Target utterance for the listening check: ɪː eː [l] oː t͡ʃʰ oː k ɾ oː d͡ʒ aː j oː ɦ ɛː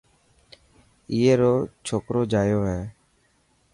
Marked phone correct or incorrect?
incorrect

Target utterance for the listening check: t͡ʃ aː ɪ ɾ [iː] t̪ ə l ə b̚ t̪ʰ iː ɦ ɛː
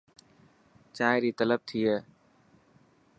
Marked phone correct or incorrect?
correct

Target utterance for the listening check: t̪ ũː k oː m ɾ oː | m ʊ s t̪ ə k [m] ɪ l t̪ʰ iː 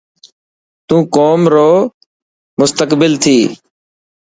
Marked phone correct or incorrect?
incorrect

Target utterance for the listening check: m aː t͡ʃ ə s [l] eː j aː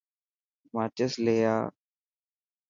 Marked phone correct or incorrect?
correct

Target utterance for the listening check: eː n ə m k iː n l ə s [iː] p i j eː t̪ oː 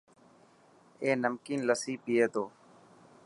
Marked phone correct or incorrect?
correct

